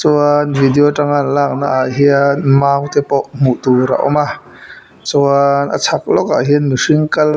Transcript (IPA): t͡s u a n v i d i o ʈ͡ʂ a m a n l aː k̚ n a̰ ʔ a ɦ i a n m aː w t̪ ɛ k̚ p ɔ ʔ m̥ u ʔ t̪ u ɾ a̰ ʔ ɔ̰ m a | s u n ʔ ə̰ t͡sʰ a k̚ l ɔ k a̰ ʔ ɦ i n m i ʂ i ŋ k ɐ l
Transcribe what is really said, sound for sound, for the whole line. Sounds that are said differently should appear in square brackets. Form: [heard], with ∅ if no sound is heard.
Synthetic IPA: t͡s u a n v i d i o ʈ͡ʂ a [ŋ] a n l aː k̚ n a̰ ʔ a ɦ i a n m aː w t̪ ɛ [∅] p ɔ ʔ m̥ u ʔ t̪ u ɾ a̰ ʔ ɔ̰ m a | [t͡s] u n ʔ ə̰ t͡sʰ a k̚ l ɔ k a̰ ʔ ɦ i n m i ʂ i ŋ k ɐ l